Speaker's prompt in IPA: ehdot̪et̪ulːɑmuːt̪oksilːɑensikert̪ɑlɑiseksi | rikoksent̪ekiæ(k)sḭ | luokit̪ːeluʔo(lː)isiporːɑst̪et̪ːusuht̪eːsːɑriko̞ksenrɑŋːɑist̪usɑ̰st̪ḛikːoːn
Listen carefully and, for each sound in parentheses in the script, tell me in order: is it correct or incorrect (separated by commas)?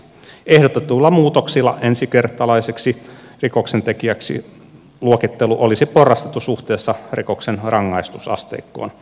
correct, incorrect